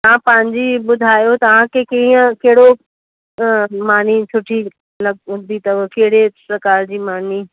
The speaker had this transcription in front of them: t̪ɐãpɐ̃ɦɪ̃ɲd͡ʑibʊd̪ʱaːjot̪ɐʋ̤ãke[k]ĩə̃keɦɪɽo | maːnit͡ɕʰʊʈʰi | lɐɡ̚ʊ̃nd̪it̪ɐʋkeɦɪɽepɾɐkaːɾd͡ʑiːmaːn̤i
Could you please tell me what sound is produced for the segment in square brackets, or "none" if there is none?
k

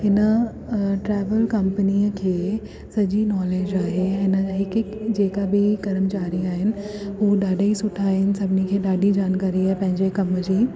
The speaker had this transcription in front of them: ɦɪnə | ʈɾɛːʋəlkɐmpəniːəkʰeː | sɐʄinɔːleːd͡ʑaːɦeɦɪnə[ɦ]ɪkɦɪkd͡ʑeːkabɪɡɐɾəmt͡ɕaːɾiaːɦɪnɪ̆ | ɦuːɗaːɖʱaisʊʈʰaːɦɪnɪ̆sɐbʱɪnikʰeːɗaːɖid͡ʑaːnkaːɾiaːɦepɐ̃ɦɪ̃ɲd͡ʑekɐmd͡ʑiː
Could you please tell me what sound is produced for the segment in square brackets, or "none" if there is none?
ɦ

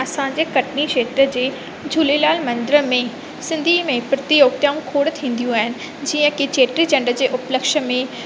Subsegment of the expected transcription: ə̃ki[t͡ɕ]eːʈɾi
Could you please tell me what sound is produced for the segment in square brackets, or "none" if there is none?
t͡ɕ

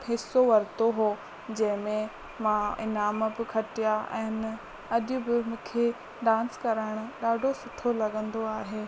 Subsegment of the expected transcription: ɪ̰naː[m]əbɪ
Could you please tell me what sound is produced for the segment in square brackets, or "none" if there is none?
m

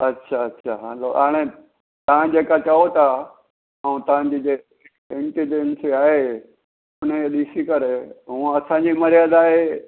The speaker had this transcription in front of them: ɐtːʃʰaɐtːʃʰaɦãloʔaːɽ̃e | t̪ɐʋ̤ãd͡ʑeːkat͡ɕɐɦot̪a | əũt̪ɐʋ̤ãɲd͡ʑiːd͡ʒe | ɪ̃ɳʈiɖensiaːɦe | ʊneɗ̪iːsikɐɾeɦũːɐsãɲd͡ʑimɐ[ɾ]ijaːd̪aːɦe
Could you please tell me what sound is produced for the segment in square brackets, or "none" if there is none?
ɾ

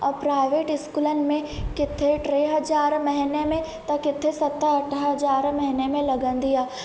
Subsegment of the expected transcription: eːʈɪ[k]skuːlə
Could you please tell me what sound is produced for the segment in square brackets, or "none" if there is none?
none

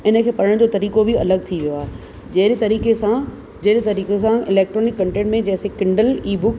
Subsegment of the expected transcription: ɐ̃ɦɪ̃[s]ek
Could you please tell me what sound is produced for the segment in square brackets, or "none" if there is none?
s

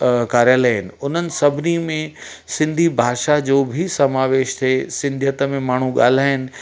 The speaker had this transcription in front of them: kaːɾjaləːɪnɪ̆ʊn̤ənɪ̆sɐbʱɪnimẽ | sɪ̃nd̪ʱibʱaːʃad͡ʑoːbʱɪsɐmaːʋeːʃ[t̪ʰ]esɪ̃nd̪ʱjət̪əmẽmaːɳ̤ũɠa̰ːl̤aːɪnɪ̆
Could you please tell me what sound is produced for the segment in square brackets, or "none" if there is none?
t̪ʰ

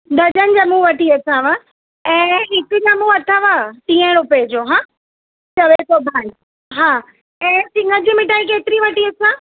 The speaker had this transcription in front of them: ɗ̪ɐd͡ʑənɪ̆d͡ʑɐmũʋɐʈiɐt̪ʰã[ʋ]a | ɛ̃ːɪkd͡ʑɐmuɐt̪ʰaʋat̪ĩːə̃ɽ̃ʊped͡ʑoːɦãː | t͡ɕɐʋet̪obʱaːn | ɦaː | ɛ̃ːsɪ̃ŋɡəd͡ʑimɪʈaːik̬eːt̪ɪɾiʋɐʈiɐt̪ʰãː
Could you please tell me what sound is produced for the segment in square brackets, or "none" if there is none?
ʋ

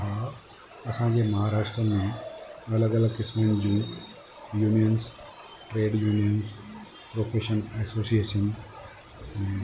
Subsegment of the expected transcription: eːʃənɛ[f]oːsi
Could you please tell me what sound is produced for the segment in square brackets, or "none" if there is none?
s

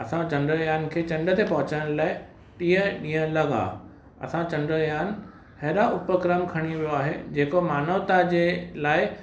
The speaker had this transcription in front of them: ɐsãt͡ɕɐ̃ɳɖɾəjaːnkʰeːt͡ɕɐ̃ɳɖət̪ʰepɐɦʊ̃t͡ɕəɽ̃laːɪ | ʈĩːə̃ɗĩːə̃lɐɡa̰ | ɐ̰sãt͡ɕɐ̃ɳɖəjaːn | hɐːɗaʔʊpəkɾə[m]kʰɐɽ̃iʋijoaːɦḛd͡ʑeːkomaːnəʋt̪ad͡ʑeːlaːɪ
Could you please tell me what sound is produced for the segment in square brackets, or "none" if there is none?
m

